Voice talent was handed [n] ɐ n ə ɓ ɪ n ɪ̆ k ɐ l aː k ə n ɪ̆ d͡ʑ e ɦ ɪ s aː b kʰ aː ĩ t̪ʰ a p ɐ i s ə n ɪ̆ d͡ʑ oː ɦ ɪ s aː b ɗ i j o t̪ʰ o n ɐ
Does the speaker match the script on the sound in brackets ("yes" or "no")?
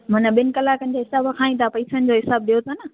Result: no